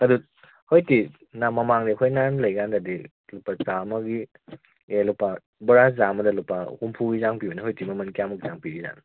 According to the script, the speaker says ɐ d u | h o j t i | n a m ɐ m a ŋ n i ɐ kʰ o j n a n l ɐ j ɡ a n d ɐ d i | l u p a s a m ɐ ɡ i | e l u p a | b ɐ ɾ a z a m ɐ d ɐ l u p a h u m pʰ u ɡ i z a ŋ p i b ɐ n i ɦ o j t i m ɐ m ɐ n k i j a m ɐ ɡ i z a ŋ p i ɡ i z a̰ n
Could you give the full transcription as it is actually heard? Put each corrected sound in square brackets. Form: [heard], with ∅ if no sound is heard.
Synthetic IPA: ɐ d u | h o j t i | n a m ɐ m a ŋ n i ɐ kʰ o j n a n l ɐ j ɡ a n d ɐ d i | l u p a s a m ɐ ɡ i | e l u p a | b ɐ ɾ a z a m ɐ d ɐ l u p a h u m pʰ u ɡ i z a ŋ p i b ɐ n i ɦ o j t i m ɐ m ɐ n k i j a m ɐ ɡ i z a ŋ p i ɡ i z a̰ n